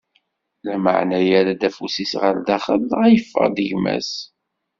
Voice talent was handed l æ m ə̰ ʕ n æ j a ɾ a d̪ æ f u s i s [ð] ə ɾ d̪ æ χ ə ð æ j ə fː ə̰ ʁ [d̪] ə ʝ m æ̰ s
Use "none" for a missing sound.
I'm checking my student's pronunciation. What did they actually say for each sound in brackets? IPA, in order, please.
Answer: ʁ, d̪

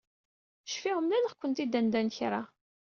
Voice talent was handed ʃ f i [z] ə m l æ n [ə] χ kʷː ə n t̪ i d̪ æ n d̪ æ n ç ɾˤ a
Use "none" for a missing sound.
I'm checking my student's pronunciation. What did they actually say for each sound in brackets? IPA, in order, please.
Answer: ʁ, ə

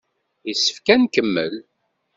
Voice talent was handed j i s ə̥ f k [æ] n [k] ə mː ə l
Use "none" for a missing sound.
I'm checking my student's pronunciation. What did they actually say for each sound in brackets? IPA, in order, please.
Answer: æ, k

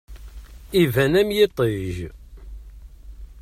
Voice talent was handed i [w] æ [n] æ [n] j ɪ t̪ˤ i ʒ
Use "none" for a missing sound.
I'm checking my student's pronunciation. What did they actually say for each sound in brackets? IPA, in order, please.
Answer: v, n, m

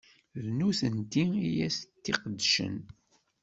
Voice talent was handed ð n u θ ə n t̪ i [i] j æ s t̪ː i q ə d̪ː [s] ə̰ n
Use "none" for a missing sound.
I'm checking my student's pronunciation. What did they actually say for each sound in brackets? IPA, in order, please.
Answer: i, ʃ

